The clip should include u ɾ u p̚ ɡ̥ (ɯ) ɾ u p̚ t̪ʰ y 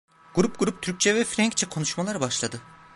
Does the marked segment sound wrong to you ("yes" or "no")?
yes